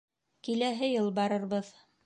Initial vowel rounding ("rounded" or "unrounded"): unrounded